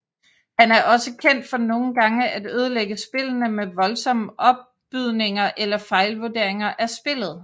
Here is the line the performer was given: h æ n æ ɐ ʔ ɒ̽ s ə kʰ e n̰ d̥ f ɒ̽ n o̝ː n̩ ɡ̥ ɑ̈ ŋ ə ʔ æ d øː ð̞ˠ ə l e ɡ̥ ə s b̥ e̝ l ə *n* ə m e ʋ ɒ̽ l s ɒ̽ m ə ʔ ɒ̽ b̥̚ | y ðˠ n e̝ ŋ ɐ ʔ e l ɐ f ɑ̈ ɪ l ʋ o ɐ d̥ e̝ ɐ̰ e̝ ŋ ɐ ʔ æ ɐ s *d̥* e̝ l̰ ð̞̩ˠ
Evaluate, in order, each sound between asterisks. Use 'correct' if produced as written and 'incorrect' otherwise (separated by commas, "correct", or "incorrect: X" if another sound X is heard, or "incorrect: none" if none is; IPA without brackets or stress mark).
correct, incorrect: b̥